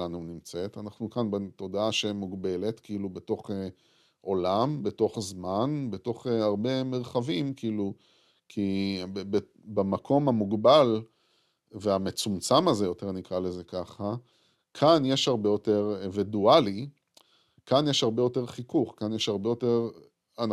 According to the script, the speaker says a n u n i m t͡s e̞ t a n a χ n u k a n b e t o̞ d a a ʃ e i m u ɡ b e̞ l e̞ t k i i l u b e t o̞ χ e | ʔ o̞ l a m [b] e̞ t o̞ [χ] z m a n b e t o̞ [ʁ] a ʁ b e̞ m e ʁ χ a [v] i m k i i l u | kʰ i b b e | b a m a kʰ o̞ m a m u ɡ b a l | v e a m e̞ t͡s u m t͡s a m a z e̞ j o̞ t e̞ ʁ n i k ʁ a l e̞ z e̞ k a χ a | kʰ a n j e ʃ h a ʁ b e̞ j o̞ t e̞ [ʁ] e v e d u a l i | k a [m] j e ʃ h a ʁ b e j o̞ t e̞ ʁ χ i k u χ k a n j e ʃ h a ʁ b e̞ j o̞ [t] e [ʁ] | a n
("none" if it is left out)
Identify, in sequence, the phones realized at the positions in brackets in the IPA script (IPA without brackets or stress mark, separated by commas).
b, χ, χ, v, ʁ, n, t, ʁ